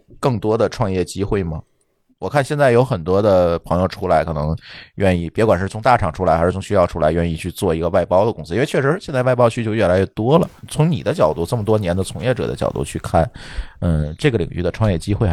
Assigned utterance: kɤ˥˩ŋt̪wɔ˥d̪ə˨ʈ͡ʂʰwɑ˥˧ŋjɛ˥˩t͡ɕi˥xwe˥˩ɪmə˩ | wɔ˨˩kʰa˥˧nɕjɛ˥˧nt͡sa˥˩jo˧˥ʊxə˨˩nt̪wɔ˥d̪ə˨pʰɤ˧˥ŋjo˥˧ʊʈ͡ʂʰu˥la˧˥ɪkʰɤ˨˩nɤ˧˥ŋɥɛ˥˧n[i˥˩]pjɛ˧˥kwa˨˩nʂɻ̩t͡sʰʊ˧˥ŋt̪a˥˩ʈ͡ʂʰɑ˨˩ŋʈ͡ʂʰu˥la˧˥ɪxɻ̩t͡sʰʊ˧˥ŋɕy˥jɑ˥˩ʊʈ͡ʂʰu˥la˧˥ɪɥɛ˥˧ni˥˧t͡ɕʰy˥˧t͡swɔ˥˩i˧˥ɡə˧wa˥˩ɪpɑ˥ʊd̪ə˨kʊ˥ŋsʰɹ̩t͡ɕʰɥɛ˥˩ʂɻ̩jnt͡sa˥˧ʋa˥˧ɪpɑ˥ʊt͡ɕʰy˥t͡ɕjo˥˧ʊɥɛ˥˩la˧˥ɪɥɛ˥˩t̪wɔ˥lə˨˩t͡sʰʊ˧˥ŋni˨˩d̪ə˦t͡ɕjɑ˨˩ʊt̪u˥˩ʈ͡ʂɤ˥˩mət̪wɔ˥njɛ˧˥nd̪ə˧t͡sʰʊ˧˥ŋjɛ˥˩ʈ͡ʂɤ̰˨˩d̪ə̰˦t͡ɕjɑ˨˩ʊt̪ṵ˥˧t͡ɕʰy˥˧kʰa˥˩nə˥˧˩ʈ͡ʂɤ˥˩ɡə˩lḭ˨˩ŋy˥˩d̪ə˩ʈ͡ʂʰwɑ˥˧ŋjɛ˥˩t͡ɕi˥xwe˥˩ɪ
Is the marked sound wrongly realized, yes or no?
no